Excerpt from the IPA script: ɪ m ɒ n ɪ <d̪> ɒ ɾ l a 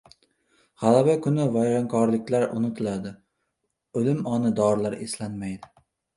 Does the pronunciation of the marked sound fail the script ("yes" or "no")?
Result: no